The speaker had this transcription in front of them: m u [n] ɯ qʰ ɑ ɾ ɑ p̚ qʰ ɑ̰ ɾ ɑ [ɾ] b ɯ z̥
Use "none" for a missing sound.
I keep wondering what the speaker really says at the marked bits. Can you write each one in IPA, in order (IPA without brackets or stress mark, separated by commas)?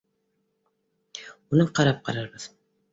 n, ɾ